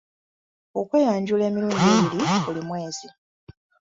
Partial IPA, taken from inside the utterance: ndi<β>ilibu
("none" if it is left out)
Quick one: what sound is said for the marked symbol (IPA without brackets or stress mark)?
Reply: β